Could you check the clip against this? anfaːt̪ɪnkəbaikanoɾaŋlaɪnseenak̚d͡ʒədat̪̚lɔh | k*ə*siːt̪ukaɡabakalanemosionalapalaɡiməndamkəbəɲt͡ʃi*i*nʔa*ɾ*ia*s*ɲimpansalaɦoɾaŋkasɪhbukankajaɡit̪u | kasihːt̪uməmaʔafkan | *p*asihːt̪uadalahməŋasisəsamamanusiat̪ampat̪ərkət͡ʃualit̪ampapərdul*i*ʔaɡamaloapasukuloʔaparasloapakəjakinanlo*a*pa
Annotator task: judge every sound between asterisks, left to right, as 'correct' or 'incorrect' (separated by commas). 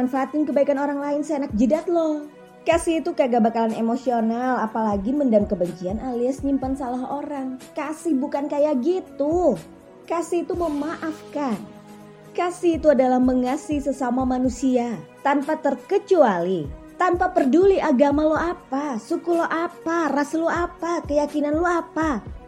incorrect, incorrect, incorrect, correct, incorrect, correct, correct